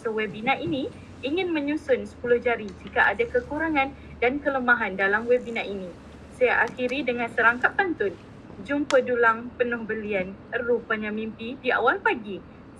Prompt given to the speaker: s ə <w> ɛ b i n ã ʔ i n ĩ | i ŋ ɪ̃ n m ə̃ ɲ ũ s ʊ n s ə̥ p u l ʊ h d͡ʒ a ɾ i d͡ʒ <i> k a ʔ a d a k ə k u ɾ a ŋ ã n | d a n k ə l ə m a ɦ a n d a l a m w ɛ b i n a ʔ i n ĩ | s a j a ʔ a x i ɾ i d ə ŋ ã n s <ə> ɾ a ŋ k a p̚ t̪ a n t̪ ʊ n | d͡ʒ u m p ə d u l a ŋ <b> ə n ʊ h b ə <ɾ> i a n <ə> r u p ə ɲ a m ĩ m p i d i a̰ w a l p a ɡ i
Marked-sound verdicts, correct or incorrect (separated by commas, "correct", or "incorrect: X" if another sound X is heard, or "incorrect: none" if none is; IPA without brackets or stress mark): correct, correct, correct, incorrect: p, incorrect: l, correct